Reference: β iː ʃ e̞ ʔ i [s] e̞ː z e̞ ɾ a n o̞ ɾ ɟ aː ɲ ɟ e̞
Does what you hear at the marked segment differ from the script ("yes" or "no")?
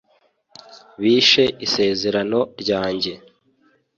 no